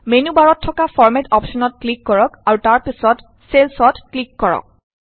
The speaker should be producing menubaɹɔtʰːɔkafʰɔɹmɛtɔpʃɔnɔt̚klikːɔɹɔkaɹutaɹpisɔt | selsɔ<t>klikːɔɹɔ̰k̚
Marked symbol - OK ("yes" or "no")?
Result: yes